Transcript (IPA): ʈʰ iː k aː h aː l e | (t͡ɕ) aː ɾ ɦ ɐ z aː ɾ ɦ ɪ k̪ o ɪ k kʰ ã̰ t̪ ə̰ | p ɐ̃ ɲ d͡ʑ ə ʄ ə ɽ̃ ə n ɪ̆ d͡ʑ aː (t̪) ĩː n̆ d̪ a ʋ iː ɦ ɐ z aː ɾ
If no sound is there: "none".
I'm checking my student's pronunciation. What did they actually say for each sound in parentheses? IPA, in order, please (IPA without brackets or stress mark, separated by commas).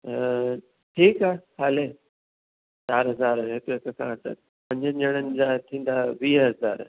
t͡ɕ, t̪ʰ